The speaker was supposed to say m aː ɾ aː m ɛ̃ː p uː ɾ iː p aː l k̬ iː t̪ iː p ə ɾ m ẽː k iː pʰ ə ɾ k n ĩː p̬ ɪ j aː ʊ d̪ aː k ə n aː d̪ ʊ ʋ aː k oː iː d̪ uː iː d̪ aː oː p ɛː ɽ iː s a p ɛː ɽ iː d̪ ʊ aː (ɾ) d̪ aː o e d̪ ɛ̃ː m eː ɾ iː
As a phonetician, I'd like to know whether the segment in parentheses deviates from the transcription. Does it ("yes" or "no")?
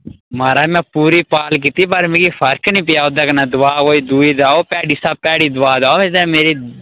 yes